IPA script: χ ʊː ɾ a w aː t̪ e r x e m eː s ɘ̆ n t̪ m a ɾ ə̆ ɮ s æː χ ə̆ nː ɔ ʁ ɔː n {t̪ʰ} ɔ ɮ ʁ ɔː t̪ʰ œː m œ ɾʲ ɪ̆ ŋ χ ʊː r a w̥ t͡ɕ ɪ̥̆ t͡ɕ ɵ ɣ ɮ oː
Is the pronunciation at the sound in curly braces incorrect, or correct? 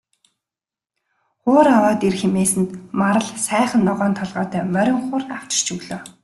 correct